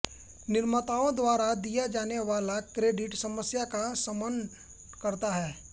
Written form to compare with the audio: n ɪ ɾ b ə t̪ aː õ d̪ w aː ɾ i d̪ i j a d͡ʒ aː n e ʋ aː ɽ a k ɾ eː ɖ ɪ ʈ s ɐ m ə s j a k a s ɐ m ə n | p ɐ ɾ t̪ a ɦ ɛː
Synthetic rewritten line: n ɪ ɾ m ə t̪ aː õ d̪ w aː ɾ a d̪ i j a d͡ʒ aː n e ʋ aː l a k ɾ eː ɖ ɪ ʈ s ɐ m ə s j a k a s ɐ m ə n | k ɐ ɾ t̪ a ɦ ɛː